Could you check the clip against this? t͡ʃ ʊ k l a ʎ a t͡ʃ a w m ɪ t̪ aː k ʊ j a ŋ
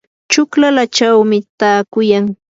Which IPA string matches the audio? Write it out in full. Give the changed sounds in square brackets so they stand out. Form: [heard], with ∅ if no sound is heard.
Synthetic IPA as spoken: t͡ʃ ʊ k l a [l] a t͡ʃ a w m ɪ t̪ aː k ʊ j a ŋ